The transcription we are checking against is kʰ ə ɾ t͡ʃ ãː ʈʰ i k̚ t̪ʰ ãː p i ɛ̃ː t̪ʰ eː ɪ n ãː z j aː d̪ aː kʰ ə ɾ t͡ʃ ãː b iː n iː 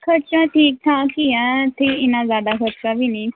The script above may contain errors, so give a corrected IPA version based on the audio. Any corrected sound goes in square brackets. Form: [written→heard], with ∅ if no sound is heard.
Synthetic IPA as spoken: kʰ ə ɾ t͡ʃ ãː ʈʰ [i→iː] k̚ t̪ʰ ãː [p→k] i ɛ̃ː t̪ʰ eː ɪ n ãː z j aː d̪ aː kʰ ə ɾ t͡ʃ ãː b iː n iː

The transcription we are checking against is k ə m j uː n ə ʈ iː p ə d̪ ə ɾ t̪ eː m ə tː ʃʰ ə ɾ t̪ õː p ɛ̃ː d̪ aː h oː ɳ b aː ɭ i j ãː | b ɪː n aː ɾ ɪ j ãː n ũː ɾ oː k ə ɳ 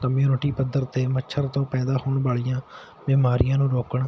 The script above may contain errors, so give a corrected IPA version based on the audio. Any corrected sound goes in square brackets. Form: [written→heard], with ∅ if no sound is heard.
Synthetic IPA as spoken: k ə m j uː n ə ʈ iː p ə d̪ ə ɾ t̪ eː m ə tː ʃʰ ə ɾ t̪ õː p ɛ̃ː d̪ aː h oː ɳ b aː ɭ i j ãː | b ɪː [n→m] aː ɾ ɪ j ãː n ũː ɾ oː k ə ɳ

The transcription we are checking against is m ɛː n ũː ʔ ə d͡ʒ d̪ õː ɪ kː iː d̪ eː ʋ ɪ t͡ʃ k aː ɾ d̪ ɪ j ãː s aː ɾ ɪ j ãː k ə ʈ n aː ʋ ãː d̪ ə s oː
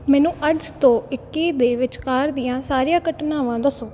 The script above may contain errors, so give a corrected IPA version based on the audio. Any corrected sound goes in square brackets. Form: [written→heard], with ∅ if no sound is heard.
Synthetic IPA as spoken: m ɛː n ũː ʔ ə d͡ʒ [d̪→t̪] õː ɪ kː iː d̪ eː ʋ ɪ t͡ʃ k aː ɾ d̪ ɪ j ãː s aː ɾ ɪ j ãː k ə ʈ n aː ʋ ãː d̪ ə s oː

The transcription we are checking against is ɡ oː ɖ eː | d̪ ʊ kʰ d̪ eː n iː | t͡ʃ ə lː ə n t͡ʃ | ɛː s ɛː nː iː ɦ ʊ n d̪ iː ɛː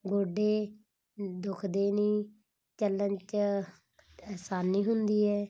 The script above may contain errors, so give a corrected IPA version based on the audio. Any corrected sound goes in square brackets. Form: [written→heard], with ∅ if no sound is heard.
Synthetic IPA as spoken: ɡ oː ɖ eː | d̪ ʊ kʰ d̪ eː n iː | t͡ʃ ə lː ə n t͡ʃ | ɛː s [ɛː→aː] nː iː ɦ ʊ n d̪ iː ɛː

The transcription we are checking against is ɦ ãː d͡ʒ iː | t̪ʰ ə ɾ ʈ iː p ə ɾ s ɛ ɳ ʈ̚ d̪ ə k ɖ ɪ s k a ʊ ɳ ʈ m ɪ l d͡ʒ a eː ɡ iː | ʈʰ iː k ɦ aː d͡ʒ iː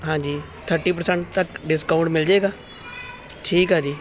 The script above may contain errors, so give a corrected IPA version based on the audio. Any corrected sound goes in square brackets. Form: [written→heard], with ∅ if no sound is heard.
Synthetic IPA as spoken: ɦ ãː d͡ʒ iː | t̪ʰ ə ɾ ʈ iː p ə ɾ s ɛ ɳ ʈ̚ [d̪→t̪] ə k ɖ ɪ s k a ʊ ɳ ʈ m ɪ l d͡ʒ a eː ɡ [iː→aː] | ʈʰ iː k ɦ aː d͡ʒ iː

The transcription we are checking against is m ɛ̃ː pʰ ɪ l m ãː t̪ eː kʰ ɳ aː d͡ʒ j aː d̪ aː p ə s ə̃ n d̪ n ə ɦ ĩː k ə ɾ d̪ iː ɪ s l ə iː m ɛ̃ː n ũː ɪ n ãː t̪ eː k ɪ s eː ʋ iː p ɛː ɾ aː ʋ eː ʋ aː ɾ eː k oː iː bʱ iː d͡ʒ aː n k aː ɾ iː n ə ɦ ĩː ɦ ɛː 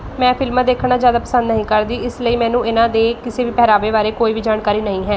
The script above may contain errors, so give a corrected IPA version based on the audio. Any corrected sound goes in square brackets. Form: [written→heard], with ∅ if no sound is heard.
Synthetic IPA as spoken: m ɛ̃ː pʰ ɪ l m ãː [t̪→d̪] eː kʰ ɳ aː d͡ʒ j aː d̪ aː p ə s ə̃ n d̪ n ə ɦ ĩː k ə ɾ d̪ iː ɪ s l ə iː m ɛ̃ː n ũː ɪ n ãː [t̪→d̪] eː k ɪ s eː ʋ iː p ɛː ɾ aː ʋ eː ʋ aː ɾ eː k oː iː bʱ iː d͡ʒ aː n k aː ɾ iː n ə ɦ ĩː ɦ ɛː

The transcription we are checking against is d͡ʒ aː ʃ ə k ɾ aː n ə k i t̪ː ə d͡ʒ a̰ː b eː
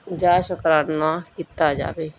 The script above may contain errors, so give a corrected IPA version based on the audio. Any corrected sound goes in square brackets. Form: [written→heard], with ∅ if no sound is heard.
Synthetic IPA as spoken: d͡ʒ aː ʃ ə k ɾ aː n [ə→a] k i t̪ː [ə→a] d͡ʒ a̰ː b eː

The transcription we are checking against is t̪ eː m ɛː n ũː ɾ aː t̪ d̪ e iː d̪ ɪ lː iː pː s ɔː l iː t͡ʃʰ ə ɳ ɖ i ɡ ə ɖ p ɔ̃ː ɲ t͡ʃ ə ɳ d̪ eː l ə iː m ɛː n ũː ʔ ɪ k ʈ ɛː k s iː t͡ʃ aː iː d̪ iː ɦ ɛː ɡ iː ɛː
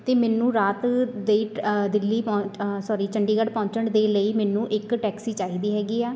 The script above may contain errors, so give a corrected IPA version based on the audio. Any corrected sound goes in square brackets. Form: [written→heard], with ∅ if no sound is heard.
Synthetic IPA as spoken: t̪ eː m ɛː n ũː ɾ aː t̪ d̪ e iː d̪ ɪ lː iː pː s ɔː [l→ɾ] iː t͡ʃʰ ə ɳ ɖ [i→iː] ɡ ə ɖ p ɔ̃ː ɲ t͡ʃ ə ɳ d̪ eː l ə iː m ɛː n ũː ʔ ɪ k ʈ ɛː k s iː t͡ʃ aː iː d̪ iː ɦ ɛː ɡ iː ɛː

